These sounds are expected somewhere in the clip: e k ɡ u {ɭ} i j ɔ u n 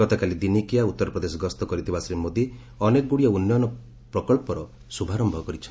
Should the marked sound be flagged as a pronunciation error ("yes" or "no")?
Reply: yes